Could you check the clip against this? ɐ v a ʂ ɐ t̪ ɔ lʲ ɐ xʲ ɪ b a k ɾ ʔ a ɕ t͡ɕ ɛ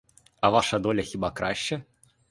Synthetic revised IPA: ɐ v a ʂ ɐ d̪ ɔ lʲ ɐ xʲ i b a k ɾ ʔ a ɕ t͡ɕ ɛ